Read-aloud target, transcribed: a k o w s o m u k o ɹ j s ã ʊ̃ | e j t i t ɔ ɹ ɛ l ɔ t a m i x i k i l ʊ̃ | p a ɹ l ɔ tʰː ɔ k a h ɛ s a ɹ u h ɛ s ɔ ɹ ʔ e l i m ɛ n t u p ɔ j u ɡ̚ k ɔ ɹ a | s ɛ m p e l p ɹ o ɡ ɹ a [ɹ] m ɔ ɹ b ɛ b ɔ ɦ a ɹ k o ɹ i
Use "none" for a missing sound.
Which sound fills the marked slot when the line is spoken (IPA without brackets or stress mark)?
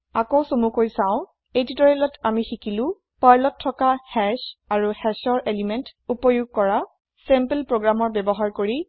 none